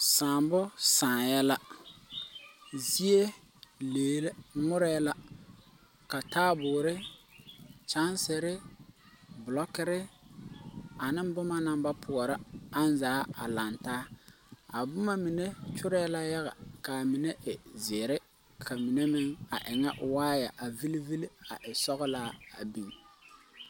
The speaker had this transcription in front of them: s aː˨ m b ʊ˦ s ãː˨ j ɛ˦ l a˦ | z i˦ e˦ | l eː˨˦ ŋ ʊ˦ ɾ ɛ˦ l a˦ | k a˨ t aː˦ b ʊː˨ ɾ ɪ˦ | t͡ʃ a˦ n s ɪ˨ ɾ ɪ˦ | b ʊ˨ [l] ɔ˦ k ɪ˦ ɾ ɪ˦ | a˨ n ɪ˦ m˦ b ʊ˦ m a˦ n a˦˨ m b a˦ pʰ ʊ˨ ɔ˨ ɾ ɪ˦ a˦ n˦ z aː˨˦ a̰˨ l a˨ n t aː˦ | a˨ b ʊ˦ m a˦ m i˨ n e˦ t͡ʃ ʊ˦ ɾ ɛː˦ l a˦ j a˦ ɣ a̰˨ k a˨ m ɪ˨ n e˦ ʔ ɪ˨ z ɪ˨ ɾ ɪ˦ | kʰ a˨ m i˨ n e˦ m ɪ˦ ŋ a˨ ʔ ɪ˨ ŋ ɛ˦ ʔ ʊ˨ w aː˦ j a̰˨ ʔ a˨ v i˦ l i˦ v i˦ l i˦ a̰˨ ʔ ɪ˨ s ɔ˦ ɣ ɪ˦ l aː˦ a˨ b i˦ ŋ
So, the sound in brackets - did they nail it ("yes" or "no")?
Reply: yes